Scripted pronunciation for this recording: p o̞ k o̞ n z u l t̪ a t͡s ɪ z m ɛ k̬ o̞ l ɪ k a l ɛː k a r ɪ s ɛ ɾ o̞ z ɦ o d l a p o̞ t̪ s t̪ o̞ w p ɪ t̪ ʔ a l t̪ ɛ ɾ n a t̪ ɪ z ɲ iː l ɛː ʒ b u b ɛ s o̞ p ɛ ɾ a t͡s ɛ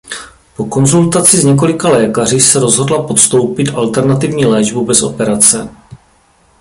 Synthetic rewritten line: p o̞ k o̞ n z u l t̪ a t͡s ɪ z ɲ ɛ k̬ o̞ l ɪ k a l ɛː k a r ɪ s ɛ ɾ o̞ z ɦ o d l a p o̞ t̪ s t̪ o̞ w p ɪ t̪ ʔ a l t̪ ɛ ɾ n a t̪ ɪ v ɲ iː l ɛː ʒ b u b ɛ s o̞ p ɛ ɾ a t͡s ɛ

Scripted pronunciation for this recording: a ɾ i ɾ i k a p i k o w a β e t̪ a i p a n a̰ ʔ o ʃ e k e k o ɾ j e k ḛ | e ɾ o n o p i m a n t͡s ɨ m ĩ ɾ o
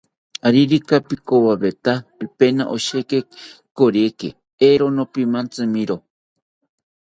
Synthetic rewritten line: a ɾ i ɾ i k a p i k o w a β e t̪ a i p e n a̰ ʔ o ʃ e k e k o ɾ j e k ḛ | e ɾ o n o p i m a n t͡s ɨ m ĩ ɾ o

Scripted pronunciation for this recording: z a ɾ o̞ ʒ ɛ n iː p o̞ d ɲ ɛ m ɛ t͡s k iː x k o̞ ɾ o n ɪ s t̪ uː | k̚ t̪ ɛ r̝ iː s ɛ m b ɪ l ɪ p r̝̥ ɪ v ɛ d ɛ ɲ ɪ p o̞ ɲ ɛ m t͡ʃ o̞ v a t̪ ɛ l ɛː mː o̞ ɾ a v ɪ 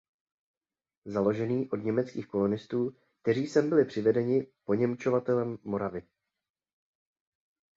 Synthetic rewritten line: z a l o̞ ʒ ɛ n iː ʔ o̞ d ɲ ɛ m ɛ t͡s k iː x k o̞ l o n ɪ s t̪ uː | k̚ t̪ ɛ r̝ iː s ɛ m b ɪ l ɪ p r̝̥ ɪ v ɛ d ɛ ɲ ɪ p o̞ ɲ ɛ m t͡ʃ o̞ v a t̪ ɛ l ɛ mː o̞ ɾ a v ɪ

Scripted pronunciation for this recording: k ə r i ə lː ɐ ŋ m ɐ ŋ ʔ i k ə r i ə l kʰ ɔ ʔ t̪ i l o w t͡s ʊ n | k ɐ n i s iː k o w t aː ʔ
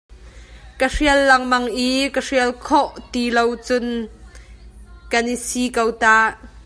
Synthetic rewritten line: k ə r i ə lː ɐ ŋ m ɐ ŋ ʔ i k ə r i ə l kʰ ɔ ʔ t̪ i l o w t͡s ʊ n | k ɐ n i s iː k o w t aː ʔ

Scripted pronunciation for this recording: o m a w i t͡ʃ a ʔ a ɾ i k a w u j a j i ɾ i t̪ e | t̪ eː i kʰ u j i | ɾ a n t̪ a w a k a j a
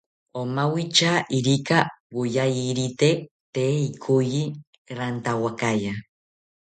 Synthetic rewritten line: o m a w i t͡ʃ a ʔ i ɾ i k a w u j a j i ɾ i t̪ e | t̪ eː i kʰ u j i | ɾ a n t̪ a w a k a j a

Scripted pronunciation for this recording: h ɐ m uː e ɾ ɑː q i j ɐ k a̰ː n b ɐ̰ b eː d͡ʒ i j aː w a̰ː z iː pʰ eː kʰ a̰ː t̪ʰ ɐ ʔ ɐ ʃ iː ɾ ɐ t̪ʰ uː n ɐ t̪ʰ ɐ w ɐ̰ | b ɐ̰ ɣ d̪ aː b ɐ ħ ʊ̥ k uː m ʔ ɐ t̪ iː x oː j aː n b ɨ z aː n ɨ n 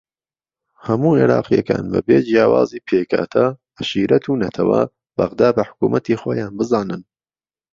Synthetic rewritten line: h ɐ m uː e ɾ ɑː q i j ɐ k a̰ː n b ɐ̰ b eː d͡ʒ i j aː w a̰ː z iː pʰ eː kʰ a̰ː t̪ʰ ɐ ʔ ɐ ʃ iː ɾ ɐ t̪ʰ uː n ɐ t̪ʰ ɐ w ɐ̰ | b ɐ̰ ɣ d̪ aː b ɐ ħ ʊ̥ k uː m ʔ ɐ t̪ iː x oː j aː n b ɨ z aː n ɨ n

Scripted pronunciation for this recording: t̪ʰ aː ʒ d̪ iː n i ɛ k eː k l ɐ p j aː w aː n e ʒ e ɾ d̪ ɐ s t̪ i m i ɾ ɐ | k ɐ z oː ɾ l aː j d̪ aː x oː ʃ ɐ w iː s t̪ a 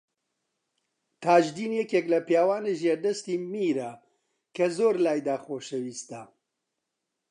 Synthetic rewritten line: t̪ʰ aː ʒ d̪ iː n j ɛ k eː k l ɐ p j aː w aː n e ʒ e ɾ d̪ ɐ s t̪ i m i ɾ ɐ | k ɐ z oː ɾ l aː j d̪ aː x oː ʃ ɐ w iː s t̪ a

